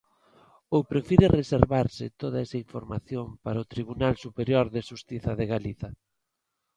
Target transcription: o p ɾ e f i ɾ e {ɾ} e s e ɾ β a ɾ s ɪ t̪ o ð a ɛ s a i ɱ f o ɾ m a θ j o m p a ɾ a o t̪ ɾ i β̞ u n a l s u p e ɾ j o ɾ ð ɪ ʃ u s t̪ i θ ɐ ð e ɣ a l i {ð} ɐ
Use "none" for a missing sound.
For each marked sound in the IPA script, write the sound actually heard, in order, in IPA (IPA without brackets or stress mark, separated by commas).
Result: r, θ